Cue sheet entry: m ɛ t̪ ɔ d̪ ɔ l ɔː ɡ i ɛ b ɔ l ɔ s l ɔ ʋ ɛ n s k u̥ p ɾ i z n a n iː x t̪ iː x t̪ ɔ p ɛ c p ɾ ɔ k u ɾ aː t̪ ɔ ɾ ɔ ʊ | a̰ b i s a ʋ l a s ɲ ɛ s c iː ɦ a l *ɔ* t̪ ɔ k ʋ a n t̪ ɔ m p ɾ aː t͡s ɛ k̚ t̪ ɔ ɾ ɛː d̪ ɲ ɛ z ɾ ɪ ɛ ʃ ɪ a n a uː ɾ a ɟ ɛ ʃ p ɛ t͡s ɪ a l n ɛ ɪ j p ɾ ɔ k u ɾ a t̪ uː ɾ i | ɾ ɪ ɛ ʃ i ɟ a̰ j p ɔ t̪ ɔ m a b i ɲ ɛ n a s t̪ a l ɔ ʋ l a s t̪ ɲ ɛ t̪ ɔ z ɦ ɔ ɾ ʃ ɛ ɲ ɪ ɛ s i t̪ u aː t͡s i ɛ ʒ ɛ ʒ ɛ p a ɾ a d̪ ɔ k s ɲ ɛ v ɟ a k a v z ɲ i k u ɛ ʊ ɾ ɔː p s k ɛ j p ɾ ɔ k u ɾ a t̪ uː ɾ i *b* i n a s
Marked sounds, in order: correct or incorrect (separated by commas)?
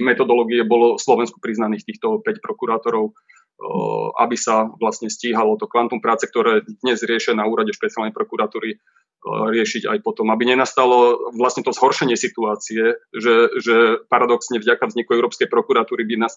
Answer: correct, correct